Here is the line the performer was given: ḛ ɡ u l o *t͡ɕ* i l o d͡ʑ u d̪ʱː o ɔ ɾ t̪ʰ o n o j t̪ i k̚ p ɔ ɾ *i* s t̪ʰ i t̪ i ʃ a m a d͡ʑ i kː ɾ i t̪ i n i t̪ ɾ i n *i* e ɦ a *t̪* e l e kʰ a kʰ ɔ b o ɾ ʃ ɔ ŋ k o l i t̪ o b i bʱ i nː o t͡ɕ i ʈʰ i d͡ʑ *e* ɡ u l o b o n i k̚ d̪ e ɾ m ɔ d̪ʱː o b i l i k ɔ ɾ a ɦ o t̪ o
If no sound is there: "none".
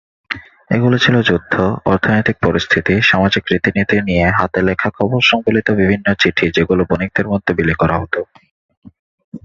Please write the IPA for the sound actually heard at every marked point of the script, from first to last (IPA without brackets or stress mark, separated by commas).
t͡ɕʰ, i, i, t̪, e